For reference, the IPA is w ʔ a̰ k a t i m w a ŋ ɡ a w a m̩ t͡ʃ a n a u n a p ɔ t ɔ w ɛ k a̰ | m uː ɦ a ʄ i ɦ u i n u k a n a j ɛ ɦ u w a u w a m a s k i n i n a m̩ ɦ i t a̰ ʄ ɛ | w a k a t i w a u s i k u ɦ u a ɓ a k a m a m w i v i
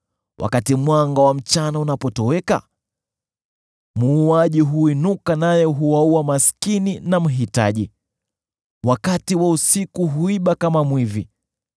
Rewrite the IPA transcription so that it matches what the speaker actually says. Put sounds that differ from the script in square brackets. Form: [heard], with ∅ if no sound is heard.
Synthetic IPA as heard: w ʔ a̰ k a t i m w a ŋ ɡ a w a m̩ t͡ʃ a n a u n a p ɔ t ɔ w ɛ k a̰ | m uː [∅] a ʄ i ɦ u i n u k a n a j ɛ ɦ u w a u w a m a s k i n i n a m̩ ɦ i t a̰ ʄ [i] | w a k a t i w a u s i k u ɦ u [i] ɓ a k a m a m w i v i